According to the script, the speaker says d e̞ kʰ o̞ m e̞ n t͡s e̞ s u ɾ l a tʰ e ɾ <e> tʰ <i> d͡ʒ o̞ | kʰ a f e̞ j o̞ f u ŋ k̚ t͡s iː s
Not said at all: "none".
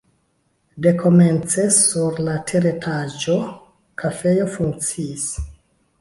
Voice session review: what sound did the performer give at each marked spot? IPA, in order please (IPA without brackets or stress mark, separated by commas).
e, a